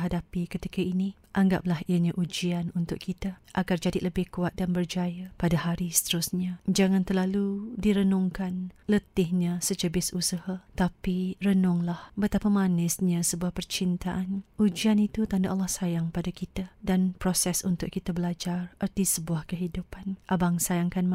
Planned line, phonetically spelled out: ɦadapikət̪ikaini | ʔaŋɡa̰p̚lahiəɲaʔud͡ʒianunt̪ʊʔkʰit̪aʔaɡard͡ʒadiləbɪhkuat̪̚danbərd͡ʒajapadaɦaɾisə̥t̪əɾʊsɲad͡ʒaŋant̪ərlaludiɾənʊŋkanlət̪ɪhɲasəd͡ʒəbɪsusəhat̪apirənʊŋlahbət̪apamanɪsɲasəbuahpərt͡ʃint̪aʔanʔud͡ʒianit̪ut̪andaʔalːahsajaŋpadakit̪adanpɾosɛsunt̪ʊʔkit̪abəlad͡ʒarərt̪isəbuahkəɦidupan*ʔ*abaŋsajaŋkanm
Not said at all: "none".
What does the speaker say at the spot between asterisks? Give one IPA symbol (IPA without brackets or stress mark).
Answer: ʔ